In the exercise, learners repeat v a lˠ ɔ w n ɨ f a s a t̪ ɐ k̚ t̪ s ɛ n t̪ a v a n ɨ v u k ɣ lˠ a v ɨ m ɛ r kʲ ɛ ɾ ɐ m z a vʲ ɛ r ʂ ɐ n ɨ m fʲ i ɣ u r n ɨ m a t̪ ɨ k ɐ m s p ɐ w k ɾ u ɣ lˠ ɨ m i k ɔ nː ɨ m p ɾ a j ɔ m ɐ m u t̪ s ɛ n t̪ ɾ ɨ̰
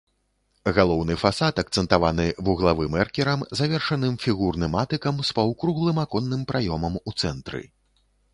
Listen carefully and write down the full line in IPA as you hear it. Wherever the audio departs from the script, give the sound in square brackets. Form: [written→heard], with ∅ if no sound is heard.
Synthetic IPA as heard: [v→ɣ] a lˠ ɔ w n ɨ f a s a t̪ ɐ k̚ t̪ s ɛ n t̪ a v a n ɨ v u [k→∅] ɣ lˠ a v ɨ m ɛ r kʲ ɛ ɾ ɐ m z a vʲ ɛ r ʂ ɐ n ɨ m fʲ i ɣ u r n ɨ m a t̪ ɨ k ɐ m s p ɐ w k ɾ u ɣ lˠ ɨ m [i→a] k ɔ nː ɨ m p ɾ a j ɔ m ɐ m u t̪ s ɛ n t̪ ɾ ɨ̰